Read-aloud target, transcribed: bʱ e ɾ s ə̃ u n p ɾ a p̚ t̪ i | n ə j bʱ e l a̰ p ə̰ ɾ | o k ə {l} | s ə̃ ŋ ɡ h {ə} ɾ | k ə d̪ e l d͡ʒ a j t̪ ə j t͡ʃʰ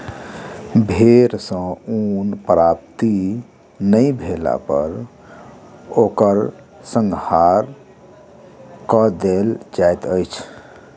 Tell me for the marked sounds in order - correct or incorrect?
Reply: incorrect: ɾ, incorrect: a

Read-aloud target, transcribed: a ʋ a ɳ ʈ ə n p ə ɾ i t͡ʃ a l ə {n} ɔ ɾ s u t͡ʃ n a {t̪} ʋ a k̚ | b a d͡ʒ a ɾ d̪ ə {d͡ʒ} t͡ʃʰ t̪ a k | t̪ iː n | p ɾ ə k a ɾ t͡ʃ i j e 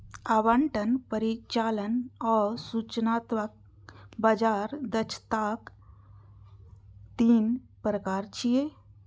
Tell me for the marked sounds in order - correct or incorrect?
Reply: correct, correct, incorrect: none

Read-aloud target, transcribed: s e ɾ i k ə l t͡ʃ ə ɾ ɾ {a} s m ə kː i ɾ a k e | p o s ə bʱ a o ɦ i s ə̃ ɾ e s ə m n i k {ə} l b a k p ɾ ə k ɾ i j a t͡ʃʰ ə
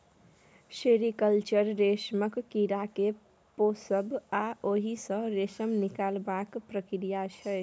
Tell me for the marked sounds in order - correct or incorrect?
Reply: incorrect: e, incorrect: a

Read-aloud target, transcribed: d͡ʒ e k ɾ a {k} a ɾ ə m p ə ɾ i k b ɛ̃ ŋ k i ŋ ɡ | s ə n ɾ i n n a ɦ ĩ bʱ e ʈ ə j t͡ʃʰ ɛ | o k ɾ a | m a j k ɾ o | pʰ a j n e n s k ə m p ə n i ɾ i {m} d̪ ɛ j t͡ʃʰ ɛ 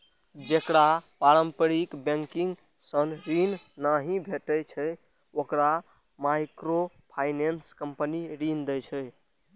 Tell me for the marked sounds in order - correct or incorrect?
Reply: incorrect: p, incorrect: n

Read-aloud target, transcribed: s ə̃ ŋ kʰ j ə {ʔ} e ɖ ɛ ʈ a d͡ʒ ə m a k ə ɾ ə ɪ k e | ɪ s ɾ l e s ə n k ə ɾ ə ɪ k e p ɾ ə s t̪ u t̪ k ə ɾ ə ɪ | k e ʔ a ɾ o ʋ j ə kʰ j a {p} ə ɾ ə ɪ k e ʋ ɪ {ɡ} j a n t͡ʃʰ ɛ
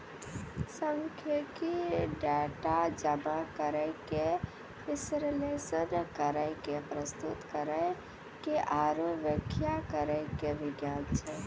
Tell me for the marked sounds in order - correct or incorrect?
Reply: incorrect: k, incorrect: k, correct

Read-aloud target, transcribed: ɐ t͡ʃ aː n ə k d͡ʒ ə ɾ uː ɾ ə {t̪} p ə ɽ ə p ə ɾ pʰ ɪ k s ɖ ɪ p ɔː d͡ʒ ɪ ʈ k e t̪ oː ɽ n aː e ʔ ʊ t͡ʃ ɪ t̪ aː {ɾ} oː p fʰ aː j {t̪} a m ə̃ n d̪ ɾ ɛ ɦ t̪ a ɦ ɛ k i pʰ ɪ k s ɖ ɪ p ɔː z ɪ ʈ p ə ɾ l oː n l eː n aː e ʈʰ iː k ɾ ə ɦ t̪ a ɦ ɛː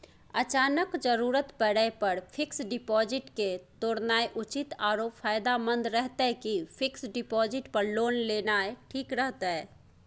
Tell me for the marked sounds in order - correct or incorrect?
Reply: correct, correct, incorrect: d̪

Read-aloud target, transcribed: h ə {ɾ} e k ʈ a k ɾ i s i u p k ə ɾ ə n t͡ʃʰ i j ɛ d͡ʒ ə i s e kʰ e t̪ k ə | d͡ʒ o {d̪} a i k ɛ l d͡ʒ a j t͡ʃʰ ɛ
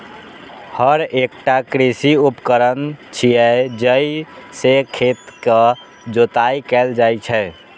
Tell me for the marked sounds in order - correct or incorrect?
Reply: correct, incorrect: t̪

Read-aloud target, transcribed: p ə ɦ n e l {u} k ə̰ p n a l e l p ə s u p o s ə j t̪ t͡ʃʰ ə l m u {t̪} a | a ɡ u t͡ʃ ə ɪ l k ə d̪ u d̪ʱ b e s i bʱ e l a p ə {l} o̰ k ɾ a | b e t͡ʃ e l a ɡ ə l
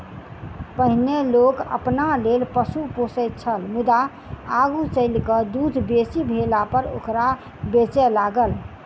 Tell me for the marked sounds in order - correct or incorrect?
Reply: incorrect: o, incorrect: d̪, incorrect: ɾ

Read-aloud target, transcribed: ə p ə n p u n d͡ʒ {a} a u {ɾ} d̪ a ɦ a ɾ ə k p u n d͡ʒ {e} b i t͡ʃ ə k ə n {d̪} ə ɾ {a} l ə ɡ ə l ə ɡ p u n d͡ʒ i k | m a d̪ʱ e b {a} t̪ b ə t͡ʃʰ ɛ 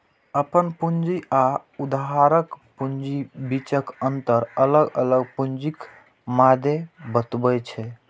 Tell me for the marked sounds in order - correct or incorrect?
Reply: incorrect: i, incorrect: none, incorrect: i, incorrect: t̪, incorrect: ə, incorrect: ə

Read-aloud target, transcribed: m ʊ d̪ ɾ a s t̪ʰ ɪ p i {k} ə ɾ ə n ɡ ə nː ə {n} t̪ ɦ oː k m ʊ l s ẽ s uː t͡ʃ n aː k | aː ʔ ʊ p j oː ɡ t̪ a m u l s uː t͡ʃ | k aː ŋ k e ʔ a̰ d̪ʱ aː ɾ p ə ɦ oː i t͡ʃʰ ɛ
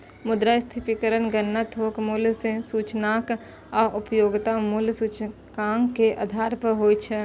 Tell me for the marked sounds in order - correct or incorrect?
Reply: correct, incorrect: none

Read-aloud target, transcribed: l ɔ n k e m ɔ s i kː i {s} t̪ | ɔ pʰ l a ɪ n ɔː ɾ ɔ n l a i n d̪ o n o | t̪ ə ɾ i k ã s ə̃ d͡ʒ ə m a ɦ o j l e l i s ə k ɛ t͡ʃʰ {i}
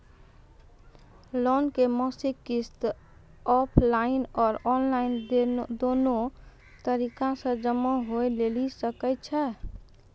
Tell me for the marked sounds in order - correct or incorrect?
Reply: correct, incorrect: ɛ

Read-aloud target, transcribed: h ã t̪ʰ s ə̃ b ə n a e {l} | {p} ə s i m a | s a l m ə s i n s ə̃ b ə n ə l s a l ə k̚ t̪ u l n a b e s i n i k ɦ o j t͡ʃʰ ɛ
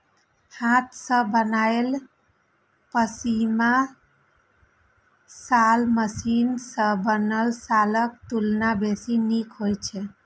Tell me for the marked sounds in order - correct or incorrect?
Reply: correct, correct

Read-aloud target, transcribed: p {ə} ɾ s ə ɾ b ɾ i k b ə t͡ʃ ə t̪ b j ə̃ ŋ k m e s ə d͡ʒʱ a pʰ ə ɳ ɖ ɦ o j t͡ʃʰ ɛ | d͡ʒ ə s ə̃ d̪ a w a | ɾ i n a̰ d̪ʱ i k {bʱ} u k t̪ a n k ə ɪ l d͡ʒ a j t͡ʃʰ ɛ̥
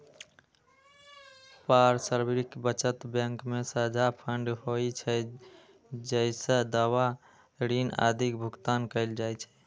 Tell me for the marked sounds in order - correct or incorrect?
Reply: incorrect: a, correct

